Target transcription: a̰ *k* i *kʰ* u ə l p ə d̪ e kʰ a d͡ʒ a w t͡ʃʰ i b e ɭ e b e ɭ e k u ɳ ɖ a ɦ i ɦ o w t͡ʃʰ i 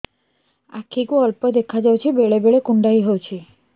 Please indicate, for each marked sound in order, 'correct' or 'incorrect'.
incorrect: kʰ, incorrect: k

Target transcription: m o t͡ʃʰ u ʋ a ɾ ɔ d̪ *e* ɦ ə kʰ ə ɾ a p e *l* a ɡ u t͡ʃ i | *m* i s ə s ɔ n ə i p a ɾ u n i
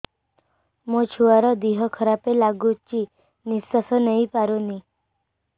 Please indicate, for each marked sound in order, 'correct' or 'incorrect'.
incorrect: i, correct, incorrect: n

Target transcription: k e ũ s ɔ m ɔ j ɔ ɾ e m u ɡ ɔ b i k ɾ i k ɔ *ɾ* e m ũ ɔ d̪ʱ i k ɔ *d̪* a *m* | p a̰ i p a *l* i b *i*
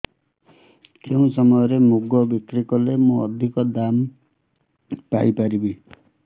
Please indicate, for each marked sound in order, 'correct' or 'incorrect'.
incorrect: l, correct, correct, incorrect: ɾ, correct

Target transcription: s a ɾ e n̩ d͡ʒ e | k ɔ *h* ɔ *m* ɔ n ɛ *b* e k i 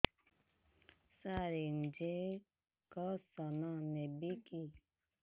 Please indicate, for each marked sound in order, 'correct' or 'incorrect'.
incorrect: s, incorrect: n, correct

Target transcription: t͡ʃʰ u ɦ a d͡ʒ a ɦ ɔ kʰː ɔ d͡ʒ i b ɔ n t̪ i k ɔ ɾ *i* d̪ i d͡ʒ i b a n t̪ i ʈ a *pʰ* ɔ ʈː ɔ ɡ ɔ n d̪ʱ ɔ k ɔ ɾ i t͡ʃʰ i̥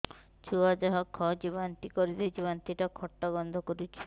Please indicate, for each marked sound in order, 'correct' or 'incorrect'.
correct, incorrect: kʰ

